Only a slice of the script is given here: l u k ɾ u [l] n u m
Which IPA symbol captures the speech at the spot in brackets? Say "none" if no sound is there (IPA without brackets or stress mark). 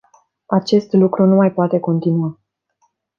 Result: none